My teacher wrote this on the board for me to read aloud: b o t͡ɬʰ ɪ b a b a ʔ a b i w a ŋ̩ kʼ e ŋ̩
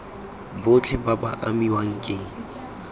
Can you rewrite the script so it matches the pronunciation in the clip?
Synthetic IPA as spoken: b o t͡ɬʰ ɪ b a b a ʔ a m i w a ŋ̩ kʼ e ŋ̩